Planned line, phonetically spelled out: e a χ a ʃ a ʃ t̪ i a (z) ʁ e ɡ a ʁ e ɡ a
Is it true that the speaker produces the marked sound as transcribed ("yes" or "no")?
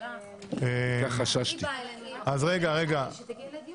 yes